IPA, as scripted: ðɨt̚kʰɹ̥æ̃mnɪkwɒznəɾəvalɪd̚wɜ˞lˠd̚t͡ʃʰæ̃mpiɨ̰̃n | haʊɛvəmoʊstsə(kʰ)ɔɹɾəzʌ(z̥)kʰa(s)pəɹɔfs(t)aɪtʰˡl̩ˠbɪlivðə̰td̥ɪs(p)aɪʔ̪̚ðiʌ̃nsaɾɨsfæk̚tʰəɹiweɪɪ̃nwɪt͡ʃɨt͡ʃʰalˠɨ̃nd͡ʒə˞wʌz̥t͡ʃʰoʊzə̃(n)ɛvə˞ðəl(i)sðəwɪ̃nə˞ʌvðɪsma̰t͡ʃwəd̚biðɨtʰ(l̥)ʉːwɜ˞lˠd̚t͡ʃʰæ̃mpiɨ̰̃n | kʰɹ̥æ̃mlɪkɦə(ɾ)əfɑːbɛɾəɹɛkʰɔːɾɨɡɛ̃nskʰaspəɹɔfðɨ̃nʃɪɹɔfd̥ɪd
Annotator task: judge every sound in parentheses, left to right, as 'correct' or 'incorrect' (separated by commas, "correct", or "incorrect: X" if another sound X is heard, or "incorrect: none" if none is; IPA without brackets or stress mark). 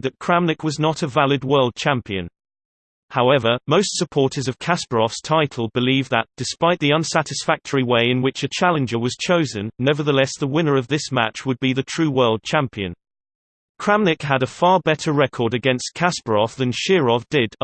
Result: incorrect: pʰ, incorrect: v̥, correct, incorrect: tʰ, correct, incorrect: nː, incorrect: ɛ, incorrect: ɹ̥, correct